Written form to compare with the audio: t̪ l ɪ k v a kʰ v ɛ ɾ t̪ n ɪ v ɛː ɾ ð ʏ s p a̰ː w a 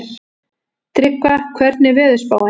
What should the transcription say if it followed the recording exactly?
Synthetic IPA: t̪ ɾ ɪ k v a kʰ v ɛ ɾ t̪ n ɪ v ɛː ð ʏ s p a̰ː w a